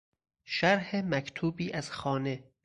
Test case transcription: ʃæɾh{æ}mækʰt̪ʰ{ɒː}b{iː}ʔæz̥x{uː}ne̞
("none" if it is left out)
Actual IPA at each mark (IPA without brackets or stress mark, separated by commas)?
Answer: e, uː, iː, ɒː